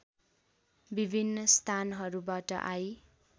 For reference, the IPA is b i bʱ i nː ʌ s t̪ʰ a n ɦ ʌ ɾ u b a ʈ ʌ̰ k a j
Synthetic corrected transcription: b i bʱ i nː ʌ s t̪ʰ a n ɦ ʌ ɾ u b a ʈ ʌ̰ ʔ a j